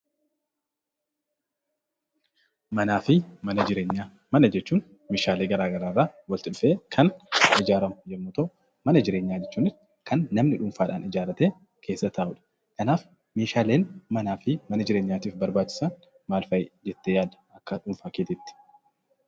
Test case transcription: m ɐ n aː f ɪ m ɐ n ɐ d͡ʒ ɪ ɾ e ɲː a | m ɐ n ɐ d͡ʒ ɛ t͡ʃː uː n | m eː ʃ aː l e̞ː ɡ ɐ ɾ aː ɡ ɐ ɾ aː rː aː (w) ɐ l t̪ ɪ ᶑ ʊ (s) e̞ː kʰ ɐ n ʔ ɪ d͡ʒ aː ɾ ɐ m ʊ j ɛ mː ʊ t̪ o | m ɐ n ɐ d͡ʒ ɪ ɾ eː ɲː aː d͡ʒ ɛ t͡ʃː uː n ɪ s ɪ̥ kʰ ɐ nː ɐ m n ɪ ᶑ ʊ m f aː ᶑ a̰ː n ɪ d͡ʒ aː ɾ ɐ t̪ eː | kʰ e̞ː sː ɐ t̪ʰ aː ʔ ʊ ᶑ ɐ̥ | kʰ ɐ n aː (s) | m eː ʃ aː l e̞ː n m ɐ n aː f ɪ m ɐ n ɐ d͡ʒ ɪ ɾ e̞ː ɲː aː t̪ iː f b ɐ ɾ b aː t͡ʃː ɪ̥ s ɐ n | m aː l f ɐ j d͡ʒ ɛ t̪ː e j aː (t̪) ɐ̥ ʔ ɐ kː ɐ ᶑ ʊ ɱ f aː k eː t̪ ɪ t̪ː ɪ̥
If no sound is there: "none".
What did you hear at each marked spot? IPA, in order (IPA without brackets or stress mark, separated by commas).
w, f, f, d̪